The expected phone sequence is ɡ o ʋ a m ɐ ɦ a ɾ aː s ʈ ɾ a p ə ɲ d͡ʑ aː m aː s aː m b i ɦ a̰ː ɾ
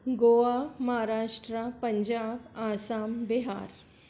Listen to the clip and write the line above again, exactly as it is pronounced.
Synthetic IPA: ɡ o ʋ a m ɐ ɦ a ɾ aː ʂ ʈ ɾ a p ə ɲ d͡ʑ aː b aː s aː m b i ɦ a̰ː ɾ